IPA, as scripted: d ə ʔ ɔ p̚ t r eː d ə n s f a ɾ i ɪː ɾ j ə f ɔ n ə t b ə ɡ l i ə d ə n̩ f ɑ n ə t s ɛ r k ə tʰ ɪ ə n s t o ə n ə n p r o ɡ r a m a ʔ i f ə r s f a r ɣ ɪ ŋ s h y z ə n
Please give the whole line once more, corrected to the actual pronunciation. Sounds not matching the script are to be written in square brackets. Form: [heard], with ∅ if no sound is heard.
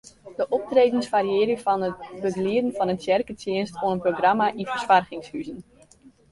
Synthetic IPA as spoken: d ə ʔ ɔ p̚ t r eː d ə n s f a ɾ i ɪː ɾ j ə f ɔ n ə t b ə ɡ l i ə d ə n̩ f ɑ n ə t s ɛ r k ə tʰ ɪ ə n s t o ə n ə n p r o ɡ r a m a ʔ i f ə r s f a r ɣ ɪ ŋ s h y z ə n